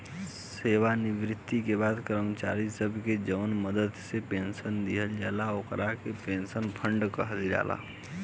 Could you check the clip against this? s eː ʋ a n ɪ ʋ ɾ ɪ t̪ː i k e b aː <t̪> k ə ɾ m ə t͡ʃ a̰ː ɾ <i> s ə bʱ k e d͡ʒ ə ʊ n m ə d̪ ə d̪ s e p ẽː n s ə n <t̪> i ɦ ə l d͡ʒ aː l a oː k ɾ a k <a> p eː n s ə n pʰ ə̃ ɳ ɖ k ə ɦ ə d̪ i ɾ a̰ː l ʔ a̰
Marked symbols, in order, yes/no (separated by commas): no, yes, no, no